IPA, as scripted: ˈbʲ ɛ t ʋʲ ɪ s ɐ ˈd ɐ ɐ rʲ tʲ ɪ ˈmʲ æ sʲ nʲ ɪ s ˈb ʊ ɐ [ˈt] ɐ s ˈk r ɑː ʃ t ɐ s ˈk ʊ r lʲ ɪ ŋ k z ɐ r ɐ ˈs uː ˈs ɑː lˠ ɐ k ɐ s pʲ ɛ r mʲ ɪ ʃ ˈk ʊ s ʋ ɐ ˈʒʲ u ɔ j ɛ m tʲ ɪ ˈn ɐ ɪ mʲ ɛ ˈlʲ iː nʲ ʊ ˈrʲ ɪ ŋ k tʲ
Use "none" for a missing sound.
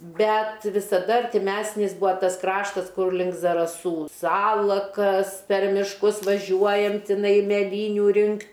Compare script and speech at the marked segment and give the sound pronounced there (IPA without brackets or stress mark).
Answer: t